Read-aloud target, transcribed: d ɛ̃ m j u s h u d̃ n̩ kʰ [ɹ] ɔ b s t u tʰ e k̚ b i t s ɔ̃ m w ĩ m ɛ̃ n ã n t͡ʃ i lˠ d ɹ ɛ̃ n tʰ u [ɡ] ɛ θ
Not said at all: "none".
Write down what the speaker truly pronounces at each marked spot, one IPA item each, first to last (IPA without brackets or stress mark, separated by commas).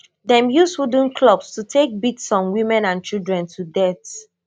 l, d